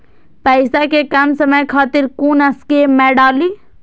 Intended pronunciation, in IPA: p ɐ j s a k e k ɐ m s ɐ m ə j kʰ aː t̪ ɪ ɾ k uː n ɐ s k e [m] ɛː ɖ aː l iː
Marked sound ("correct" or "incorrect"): correct